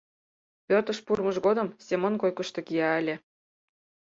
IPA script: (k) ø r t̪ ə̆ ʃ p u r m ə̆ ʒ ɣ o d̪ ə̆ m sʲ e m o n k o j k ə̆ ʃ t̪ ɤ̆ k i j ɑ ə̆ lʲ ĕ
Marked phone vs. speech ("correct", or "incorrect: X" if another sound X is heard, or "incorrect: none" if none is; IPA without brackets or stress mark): incorrect: p